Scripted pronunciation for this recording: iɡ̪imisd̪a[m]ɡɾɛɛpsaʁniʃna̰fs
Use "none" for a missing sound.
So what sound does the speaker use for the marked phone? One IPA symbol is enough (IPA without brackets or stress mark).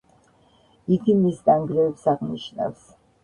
ŋ